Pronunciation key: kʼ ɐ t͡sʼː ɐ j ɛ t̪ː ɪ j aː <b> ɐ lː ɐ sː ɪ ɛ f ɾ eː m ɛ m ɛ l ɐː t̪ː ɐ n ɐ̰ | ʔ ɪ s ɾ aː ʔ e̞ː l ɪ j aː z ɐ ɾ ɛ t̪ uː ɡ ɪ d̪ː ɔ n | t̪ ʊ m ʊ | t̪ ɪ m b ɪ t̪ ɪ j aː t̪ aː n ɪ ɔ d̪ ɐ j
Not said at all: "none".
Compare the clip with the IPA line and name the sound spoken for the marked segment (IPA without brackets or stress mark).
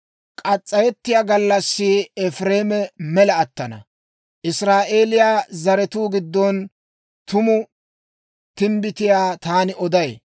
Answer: ɡ